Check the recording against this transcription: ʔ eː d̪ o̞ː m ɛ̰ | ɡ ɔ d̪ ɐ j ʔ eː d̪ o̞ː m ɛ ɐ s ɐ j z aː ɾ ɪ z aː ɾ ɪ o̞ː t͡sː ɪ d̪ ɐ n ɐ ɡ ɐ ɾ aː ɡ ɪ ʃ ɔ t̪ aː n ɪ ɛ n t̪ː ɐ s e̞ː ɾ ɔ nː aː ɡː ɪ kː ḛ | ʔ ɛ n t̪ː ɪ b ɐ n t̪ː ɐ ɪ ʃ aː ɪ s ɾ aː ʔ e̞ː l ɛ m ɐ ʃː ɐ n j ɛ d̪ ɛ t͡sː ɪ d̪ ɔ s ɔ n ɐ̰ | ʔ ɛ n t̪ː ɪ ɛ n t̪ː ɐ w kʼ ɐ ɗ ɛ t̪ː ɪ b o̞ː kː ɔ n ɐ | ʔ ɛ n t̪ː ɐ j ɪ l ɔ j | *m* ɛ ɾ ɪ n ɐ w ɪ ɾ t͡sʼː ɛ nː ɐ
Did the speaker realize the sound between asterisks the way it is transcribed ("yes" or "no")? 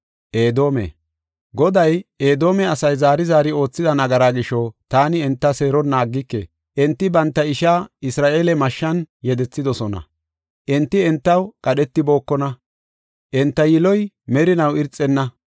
yes